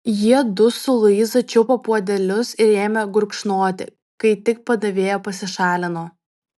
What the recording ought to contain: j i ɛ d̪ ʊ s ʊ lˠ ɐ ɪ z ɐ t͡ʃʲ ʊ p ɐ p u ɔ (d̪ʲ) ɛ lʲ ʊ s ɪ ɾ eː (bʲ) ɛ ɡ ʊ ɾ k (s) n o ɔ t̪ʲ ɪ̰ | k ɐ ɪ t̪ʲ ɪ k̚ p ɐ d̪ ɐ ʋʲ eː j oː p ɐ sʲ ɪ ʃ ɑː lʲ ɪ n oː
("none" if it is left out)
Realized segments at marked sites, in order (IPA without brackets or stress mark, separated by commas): d̪ʲ, mʲ, ʃ